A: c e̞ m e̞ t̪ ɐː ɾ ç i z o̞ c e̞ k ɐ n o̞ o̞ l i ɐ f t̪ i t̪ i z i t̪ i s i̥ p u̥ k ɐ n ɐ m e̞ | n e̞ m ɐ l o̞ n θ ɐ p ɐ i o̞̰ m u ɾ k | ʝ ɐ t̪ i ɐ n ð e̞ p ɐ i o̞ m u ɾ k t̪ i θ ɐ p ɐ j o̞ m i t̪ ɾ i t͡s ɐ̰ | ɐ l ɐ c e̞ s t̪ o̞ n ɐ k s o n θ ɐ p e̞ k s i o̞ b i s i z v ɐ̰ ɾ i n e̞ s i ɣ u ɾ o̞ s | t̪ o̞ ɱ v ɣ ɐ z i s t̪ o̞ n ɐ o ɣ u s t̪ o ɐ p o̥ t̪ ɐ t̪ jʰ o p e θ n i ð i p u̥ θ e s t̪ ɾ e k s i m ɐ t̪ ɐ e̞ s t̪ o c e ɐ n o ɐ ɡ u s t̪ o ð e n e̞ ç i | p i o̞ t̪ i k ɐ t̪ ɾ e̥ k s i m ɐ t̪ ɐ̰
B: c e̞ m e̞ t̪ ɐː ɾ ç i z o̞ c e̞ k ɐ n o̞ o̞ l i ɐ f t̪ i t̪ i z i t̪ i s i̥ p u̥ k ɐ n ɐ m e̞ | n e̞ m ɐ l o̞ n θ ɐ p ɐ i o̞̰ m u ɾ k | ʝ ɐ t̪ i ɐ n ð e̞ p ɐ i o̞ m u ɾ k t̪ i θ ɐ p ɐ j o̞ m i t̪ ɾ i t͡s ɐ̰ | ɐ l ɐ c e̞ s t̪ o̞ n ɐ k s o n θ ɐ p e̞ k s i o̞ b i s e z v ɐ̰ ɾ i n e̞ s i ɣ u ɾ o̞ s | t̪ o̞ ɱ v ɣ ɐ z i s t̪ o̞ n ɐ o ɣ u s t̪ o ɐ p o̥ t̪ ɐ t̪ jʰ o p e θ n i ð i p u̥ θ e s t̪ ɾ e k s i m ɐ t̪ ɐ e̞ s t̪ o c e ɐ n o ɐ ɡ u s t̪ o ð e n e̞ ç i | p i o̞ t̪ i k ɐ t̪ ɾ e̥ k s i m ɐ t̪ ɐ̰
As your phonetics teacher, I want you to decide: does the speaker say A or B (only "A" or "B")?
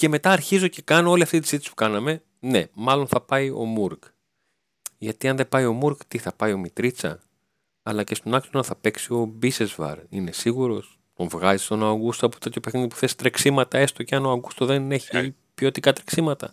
B